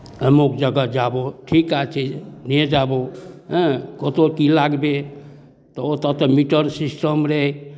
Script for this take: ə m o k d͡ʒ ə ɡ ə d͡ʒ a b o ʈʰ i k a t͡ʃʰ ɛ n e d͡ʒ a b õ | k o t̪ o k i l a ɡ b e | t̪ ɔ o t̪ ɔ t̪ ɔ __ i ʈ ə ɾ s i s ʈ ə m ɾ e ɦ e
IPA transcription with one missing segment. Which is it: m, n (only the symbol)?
m